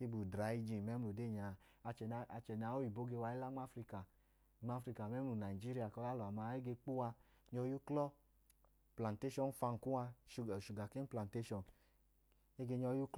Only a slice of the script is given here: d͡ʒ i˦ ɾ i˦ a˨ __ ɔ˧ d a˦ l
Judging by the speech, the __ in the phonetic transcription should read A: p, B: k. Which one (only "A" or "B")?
B